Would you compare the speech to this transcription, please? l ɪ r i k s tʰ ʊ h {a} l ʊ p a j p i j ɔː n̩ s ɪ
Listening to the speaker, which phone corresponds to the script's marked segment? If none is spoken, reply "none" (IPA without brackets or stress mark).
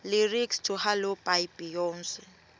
a